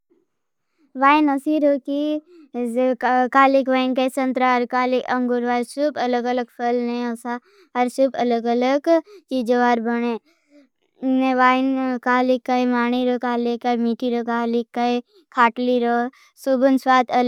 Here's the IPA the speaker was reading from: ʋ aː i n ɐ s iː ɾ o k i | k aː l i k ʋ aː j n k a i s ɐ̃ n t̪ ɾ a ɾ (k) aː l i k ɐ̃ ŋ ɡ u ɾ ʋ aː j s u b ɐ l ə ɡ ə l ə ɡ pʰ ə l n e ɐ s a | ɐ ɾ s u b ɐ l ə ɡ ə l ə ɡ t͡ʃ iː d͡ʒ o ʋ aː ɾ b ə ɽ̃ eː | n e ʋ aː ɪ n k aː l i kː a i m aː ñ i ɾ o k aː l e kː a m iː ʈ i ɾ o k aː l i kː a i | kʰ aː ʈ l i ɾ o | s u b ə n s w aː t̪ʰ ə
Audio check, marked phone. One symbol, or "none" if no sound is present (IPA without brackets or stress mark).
k